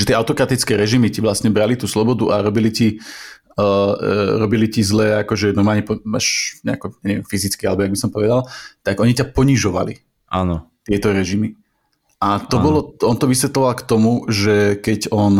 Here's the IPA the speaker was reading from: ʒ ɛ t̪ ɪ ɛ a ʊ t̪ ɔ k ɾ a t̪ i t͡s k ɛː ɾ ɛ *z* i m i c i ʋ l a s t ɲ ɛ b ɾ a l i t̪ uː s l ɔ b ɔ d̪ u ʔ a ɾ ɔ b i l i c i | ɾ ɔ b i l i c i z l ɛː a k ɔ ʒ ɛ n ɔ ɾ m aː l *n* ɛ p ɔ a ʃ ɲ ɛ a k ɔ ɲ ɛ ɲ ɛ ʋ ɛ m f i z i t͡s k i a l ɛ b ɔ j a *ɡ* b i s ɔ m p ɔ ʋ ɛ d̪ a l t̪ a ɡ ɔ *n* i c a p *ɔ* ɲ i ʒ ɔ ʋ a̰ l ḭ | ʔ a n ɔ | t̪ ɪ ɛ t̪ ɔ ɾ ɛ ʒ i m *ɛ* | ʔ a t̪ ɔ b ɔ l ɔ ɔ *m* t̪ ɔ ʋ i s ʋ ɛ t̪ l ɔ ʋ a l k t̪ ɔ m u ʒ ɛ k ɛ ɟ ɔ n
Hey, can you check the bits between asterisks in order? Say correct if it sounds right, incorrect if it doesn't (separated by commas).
incorrect, incorrect, correct, incorrect, correct, incorrect, incorrect